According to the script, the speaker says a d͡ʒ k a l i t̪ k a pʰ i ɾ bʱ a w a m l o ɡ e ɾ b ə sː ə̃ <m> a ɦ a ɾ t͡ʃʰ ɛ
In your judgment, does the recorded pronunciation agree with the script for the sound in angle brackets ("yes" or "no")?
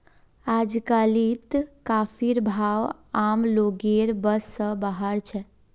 no